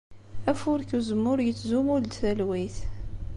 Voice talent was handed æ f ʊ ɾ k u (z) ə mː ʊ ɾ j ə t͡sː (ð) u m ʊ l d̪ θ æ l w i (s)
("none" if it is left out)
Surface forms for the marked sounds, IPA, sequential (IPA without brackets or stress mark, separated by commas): z, z, θ